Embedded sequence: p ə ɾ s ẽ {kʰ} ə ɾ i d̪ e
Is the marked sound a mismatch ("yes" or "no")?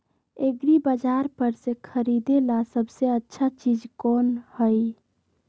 no